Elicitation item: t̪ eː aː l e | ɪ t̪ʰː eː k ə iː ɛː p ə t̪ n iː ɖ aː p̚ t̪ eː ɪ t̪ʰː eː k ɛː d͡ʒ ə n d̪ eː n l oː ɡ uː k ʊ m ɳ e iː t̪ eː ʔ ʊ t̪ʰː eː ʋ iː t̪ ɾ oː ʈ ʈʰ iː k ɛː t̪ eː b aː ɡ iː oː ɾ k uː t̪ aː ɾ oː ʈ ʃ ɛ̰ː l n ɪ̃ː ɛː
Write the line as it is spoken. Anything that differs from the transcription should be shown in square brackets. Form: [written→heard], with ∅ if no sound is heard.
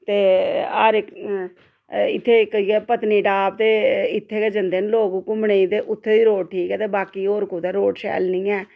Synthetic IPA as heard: t̪ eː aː [l→ɾ] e | ɪ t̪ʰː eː k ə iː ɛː p ə t̪ n iː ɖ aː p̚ t̪ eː ɪ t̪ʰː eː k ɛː d͡ʒ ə n d̪ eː n l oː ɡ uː k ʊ m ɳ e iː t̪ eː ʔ ʊ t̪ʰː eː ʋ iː [t̪→∅] ɾ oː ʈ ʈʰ iː k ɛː t̪ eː b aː [ɡ→k] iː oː ɾ k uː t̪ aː ɾ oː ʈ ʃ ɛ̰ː l n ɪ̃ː ɛː